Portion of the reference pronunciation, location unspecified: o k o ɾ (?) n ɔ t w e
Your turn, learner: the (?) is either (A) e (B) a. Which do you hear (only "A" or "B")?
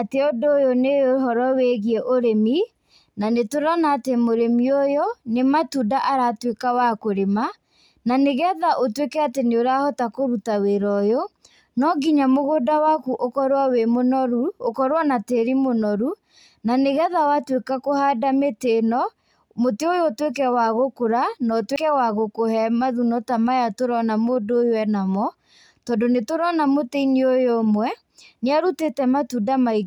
B